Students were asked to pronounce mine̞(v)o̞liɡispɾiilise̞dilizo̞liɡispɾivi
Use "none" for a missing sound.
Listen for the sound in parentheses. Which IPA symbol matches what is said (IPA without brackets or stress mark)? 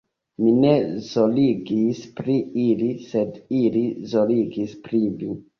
z